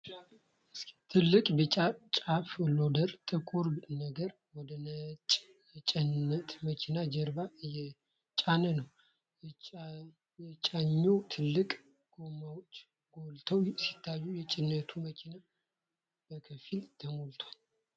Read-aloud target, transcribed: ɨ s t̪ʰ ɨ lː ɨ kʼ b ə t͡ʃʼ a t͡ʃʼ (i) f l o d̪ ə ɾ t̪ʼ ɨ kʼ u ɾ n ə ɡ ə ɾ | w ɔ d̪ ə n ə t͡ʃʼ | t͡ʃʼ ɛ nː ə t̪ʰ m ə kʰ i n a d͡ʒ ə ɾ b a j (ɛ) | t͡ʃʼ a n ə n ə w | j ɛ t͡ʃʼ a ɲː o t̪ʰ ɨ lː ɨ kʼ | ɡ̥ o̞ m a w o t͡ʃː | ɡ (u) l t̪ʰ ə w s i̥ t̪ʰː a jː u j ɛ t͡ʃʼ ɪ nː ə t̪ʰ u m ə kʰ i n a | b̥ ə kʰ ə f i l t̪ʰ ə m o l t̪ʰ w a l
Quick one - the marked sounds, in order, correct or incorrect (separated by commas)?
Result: incorrect, correct, incorrect